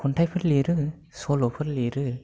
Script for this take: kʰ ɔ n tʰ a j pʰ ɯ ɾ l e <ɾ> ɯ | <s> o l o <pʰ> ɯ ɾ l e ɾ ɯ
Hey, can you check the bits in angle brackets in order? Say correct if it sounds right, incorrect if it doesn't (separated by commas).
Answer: correct, correct, correct